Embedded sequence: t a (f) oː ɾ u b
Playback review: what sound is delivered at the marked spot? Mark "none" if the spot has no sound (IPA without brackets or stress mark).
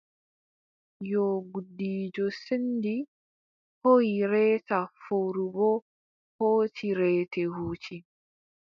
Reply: f